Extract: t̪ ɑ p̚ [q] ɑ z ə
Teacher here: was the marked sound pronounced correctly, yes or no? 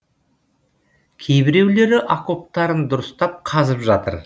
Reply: no